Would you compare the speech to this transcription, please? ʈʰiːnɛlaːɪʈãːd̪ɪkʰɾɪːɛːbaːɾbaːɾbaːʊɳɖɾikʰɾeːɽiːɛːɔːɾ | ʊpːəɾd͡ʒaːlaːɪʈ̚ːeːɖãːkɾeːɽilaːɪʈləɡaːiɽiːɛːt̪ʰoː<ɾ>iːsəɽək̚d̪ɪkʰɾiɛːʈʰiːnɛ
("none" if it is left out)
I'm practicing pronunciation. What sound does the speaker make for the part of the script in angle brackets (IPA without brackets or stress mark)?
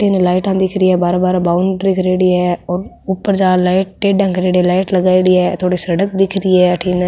ɽ